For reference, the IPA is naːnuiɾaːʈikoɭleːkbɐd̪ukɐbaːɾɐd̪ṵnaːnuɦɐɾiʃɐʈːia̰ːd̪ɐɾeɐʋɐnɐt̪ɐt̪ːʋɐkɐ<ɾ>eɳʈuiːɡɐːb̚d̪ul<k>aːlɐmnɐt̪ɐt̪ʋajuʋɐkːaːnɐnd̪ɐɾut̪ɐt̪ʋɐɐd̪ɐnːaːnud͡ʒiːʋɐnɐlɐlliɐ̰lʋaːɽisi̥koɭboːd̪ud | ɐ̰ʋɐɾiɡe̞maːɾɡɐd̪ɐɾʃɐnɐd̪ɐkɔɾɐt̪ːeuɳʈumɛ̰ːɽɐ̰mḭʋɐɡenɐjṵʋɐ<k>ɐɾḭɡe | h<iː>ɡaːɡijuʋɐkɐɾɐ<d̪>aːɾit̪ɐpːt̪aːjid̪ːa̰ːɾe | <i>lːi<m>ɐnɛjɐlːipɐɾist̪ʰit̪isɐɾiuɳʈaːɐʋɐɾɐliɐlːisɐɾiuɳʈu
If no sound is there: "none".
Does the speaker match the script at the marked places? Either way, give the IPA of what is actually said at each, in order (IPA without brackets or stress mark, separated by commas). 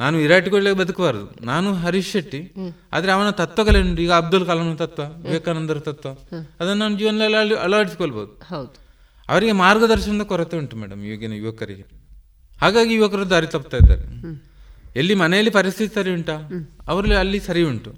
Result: l, k, k, aː, d̪, e, m